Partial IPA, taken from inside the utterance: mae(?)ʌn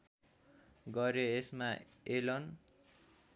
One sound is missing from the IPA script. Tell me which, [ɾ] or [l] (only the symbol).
l